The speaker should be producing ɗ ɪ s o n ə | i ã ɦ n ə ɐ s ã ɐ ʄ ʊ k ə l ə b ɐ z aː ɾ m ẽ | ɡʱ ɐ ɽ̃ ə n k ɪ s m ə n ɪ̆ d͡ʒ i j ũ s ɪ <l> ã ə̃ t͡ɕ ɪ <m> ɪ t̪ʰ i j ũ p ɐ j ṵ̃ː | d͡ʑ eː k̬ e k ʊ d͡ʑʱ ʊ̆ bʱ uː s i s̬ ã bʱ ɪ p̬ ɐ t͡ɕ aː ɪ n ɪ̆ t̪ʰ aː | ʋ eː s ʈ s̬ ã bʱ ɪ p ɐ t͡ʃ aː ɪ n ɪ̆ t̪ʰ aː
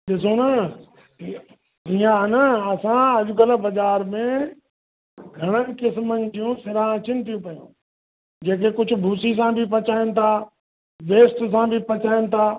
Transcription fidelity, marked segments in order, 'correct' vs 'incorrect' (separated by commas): incorrect, incorrect